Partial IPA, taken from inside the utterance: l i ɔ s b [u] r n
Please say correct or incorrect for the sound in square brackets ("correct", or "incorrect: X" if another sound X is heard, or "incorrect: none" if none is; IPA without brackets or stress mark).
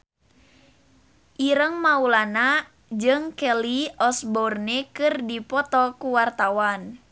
incorrect: ɔ